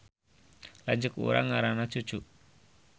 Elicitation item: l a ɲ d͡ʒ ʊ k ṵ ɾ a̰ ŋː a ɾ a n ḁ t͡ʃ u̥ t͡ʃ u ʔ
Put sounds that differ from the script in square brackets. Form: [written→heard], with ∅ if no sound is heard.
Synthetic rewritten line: l a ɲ d͡ʒ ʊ k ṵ ɾ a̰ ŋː a ɾ a n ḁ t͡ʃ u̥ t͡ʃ u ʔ